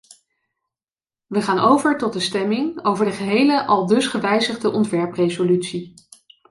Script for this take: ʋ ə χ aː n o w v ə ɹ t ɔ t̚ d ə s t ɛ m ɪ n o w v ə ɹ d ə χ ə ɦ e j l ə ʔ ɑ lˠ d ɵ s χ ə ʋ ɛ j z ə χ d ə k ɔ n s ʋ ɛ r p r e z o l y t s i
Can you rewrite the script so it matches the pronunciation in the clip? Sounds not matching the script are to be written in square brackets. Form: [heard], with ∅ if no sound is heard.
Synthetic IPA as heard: ʋ ə χ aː n o w v ə ɹ t ɔ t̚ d ə s t ɛ m ɪ [ŋ] o w v ə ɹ d ə χ ə ɦ e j l ə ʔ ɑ lˠ d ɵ s χ ə ʋ ɛ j z ə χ d ə [ʔ] ɔ n [t] ʋ ɛ [ɹ] p r e z o l y t s i